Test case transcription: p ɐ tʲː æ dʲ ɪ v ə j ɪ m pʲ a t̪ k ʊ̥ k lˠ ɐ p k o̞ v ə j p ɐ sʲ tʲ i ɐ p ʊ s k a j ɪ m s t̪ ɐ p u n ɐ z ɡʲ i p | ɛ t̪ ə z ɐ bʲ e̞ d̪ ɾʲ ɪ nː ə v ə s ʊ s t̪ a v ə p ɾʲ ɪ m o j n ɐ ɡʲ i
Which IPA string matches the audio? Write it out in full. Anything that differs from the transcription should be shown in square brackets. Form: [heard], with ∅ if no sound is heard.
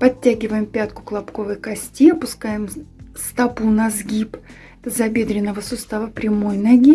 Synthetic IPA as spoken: p ɐ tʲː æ [ɡʲ] ɪ v ə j ɪ m pʲ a t̪ k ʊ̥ k lˠ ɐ p k o̞ v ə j [k] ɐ sʲ tʲ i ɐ p ʊ s k a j ɪ m s t̪ ɐ p u n ɐ z ɡʲ i p | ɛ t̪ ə z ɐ bʲ e̞ d̪ ɾʲ ɪ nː ə v ə s ʊ s t̪ a v ə p ɾʲ ɪ m o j n ɐ ɡʲ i